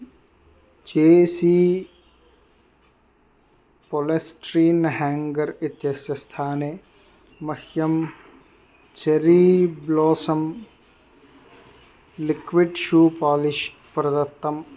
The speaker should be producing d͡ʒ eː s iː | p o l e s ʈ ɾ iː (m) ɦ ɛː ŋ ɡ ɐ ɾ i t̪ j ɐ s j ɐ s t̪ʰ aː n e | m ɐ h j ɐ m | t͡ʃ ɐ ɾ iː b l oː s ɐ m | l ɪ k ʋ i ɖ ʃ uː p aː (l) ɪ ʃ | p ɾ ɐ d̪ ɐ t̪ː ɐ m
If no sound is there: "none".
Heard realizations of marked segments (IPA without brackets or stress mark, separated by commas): n, l